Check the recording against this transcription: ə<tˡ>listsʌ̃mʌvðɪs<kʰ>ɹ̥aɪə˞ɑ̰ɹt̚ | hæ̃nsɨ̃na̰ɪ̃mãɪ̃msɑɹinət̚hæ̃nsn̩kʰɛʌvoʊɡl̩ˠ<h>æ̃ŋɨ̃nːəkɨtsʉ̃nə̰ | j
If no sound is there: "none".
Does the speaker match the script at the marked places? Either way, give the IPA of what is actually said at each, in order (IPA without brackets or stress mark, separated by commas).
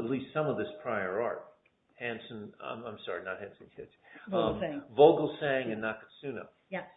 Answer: tˡ, pʰ, s